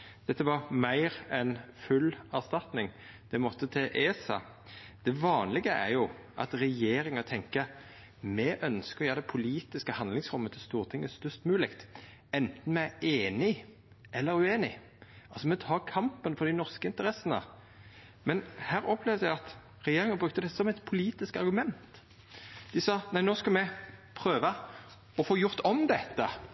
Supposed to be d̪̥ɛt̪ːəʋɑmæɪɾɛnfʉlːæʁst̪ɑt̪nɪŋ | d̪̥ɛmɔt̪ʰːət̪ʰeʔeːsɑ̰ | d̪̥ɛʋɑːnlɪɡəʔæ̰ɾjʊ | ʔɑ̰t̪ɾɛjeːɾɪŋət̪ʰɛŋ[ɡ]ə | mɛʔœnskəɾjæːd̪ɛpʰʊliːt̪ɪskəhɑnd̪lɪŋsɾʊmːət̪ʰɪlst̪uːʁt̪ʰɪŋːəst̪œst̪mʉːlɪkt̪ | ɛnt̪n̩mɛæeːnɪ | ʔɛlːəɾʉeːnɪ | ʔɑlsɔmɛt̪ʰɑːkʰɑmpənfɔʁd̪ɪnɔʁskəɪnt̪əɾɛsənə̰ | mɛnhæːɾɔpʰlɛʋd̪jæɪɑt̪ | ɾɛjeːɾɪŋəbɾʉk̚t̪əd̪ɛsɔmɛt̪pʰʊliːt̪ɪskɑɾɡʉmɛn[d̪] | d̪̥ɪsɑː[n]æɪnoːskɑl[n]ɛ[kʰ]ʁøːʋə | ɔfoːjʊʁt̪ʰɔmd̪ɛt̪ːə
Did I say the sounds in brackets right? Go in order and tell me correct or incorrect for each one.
incorrect: k, incorrect: t̪, correct, incorrect: m, incorrect: pʰ

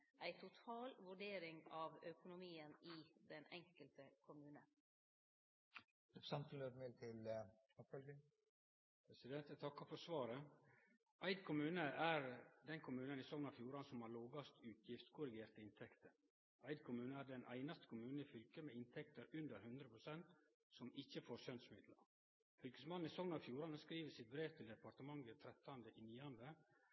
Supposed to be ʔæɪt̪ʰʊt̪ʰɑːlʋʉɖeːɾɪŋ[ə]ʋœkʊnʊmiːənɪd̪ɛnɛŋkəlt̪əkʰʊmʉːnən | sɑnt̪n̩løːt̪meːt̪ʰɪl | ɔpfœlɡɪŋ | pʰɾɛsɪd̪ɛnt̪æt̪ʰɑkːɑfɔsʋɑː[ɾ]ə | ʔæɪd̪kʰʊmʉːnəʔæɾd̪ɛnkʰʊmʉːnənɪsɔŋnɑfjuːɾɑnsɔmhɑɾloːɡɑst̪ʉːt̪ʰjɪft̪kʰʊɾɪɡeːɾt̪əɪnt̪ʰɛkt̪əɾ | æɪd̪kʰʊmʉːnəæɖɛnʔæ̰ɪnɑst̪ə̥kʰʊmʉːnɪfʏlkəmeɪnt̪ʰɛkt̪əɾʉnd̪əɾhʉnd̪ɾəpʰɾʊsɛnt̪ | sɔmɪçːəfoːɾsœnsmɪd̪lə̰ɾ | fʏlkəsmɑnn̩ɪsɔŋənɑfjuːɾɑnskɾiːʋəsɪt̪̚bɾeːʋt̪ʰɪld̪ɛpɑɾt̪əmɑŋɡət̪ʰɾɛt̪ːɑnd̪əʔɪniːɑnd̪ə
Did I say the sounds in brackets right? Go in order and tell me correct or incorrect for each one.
incorrect: ɑ, correct

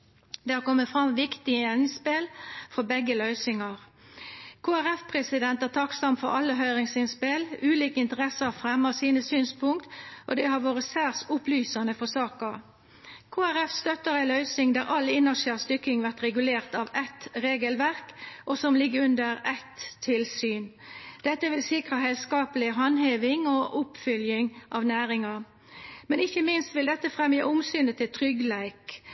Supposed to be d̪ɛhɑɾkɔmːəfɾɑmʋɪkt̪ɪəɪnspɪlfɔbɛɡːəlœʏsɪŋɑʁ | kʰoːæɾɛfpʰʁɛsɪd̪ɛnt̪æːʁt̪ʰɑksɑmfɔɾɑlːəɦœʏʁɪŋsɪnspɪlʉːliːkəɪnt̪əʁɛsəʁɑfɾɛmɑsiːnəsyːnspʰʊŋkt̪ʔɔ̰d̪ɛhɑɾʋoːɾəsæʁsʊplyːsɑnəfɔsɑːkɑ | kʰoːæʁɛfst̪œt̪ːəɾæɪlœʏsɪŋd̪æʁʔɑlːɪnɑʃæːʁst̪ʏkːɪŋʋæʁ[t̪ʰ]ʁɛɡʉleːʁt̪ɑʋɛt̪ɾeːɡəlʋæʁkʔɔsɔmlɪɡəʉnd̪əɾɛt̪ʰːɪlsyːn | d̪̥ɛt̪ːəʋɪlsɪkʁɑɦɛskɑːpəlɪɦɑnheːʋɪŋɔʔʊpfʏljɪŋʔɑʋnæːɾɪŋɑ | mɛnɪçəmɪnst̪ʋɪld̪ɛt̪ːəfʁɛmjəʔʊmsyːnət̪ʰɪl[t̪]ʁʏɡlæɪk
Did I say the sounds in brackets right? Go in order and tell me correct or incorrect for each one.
incorrect: t̪, incorrect: t̪ʰ

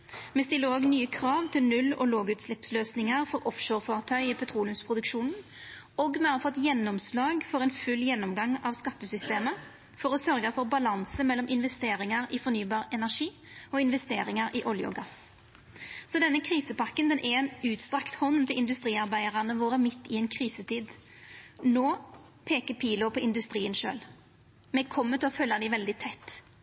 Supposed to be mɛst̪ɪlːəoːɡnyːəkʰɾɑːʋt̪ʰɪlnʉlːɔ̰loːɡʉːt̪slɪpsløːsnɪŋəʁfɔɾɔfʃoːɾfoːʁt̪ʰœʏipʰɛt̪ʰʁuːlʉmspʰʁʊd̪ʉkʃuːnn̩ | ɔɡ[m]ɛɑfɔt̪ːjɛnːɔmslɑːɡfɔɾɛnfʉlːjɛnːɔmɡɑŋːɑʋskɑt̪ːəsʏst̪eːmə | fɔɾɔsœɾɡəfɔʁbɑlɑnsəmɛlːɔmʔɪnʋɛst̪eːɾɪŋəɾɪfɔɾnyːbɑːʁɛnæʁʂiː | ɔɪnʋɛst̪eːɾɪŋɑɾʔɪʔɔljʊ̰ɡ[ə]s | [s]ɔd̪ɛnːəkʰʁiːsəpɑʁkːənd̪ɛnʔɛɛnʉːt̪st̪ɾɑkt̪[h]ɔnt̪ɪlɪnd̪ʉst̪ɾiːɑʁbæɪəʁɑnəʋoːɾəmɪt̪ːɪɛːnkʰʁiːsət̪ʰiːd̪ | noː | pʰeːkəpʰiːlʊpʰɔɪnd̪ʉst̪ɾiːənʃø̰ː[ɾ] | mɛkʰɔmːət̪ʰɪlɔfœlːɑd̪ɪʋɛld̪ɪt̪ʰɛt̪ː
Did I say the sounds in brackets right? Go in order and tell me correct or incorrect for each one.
correct, incorrect: ɑ, correct, correct, incorrect: l

